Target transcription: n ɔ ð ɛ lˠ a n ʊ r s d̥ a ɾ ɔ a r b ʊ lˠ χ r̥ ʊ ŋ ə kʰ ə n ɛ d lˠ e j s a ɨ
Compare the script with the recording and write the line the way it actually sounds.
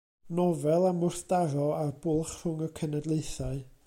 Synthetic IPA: n ɔ v ɛ lˠ a m ʊ r θ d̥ a ɾ ɔ a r b ʊ lˠ χ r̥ ʊ ŋ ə kʰ ə n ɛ d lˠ e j θ a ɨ

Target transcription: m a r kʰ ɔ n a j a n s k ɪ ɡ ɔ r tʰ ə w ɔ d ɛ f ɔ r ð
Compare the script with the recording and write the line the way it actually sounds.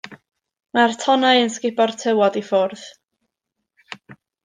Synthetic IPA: m a r tʰ ɔ n a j ə n s k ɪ b ɔ r tʰ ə w ɔ d i f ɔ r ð

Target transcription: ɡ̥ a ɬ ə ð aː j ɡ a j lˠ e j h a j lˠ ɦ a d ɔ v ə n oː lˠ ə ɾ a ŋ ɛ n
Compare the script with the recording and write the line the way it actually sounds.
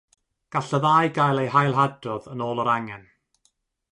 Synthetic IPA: ɡ̥ a ɬ ə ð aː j ɡ a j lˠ e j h a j lˠ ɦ a d ɔ ð ə n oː lˠ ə ɾ a ŋ ɛ n

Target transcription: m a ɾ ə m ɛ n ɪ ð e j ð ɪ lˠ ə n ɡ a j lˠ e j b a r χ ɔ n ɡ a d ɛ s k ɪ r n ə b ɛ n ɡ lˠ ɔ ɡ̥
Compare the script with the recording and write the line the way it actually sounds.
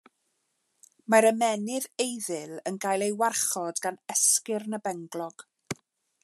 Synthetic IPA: m a ɾ ə m ɛ n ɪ ð e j ð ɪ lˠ ə n ɡ a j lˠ e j w a r χ ɔ d ɡ a n ɛ s k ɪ r n ə b ɛ ŋ ɡ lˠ ɔ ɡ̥

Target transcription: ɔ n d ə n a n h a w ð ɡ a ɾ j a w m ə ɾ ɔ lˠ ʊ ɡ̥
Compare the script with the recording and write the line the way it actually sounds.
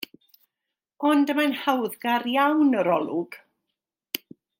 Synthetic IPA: ɔ n d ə m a n h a w ð ɡ a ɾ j a w n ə ɾ ɔ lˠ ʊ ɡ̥

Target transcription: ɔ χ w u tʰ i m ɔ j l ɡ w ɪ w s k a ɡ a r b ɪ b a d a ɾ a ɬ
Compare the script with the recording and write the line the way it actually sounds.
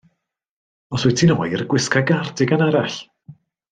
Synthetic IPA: ɔ s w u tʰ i n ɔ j r ɡ w ɪ s k a ɡ a r d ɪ ɡ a n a ɾ a ɬ

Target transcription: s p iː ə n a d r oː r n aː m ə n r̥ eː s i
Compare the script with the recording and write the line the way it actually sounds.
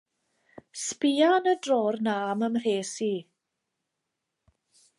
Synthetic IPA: s p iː a n ə d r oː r n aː m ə m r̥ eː s i

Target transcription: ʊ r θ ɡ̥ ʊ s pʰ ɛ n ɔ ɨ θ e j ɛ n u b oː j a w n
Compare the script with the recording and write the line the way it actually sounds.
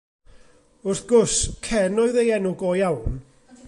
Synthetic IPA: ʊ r θ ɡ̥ ʊ s kʰ ɛ n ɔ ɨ ð e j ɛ n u ɡ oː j a w n

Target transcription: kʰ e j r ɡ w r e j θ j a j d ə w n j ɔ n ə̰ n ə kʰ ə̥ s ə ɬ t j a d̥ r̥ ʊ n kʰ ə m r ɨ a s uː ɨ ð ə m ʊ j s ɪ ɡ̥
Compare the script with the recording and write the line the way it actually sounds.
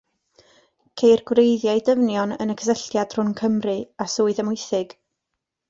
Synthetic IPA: kʰ e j r ɡ w r e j ð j a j d ə v n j ɔ n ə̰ n ə kʰ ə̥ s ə ɬ t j a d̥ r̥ ʊ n kʰ ə m r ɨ a s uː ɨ ð ə m ʊ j θ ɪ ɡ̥

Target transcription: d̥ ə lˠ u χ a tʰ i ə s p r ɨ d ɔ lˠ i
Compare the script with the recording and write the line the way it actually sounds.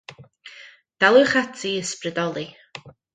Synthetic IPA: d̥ a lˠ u χ a tʰ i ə s p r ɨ d ɔ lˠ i

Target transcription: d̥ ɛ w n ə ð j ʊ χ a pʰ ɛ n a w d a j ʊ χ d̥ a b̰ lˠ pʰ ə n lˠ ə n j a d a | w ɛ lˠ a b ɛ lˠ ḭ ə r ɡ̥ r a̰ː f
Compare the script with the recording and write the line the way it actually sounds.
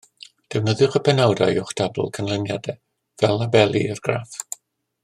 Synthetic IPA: d̥ ɛ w n ə ð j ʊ χ ə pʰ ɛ n a w d a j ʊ χ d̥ a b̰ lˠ kʰ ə n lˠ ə n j a d ɛ | v ɛ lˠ a b ɛ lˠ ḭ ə r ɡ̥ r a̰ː f

